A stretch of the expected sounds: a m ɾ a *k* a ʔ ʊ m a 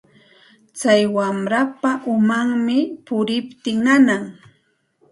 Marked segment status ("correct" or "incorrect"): incorrect